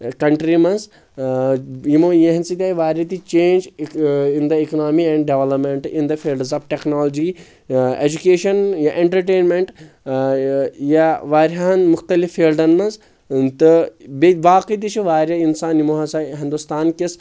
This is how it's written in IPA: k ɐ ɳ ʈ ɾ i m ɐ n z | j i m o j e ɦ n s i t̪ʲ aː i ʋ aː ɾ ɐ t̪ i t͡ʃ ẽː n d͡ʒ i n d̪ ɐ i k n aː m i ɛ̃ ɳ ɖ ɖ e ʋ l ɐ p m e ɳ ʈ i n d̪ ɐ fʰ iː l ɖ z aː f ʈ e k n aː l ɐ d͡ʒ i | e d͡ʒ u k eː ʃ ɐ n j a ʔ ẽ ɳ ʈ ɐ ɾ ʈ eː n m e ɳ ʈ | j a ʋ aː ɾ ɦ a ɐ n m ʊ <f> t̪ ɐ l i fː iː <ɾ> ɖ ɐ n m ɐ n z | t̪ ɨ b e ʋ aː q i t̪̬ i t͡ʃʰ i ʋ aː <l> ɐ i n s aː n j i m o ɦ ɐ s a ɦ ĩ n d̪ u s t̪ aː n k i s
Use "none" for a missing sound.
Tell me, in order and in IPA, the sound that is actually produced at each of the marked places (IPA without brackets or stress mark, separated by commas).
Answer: x, l, ɾ